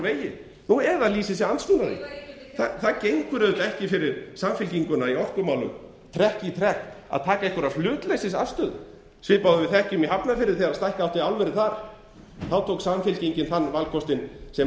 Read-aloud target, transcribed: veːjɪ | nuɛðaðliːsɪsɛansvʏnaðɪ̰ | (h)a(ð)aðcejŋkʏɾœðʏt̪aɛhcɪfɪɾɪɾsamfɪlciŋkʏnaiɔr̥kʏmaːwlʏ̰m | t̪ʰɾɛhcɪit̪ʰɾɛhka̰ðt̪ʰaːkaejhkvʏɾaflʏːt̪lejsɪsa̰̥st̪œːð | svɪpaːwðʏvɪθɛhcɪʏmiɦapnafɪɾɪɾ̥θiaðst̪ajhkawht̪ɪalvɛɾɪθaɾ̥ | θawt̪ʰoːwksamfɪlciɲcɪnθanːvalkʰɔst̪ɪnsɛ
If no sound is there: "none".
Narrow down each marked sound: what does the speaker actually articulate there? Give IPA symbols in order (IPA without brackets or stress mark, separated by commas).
θ, θ